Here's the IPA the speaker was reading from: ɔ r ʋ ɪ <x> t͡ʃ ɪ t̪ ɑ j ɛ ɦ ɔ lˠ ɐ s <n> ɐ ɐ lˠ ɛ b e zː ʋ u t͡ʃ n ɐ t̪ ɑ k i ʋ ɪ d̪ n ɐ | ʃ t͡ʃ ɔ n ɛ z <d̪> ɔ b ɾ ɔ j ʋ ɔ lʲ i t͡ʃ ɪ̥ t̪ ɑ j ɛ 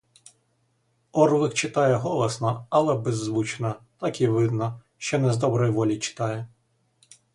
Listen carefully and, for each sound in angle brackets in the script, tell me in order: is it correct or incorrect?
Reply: correct, correct, correct

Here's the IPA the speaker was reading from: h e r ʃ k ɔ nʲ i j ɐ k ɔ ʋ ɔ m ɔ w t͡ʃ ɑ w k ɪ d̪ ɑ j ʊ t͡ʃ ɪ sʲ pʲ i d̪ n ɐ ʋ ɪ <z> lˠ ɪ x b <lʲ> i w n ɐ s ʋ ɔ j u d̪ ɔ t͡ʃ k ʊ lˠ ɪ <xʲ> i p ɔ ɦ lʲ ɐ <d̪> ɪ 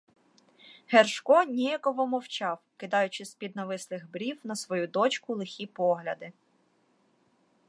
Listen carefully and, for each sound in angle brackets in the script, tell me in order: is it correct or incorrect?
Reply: incorrect: s, incorrect: ɾʲ, correct, correct

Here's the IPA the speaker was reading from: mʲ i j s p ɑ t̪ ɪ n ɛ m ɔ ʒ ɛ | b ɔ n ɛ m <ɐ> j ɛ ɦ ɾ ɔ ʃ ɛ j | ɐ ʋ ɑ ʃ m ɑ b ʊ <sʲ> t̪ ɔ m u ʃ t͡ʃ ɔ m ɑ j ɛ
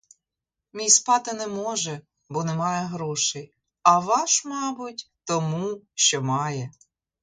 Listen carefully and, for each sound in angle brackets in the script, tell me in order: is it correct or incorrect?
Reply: incorrect: ɑ, incorrect: tʲ

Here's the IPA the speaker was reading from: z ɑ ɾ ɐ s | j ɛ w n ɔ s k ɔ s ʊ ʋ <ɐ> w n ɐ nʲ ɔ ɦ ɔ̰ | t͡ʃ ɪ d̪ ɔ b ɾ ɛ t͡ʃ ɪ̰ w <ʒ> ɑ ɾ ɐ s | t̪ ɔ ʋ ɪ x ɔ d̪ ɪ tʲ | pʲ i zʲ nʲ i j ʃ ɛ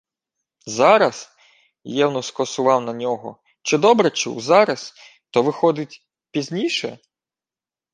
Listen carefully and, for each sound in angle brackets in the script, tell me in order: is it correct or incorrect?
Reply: incorrect: ɑ, incorrect: z

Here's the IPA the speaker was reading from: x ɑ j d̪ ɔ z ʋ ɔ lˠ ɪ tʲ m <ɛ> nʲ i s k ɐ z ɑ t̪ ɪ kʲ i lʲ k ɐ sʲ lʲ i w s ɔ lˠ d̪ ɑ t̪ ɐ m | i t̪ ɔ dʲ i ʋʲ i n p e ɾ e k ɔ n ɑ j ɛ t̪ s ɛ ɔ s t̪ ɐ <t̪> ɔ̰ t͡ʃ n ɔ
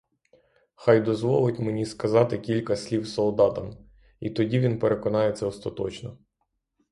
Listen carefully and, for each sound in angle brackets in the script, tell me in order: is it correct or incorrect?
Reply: incorrect: e, correct

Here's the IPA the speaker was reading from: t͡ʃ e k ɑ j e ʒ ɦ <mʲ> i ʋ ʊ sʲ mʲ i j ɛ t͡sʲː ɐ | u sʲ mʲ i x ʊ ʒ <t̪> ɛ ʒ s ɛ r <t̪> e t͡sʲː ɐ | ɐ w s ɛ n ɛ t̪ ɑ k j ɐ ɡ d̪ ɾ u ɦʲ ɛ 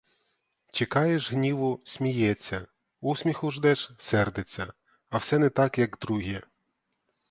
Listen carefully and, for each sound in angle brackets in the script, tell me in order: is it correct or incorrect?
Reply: incorrect: nʲ, incorrect: d̪, incorrect: d̪

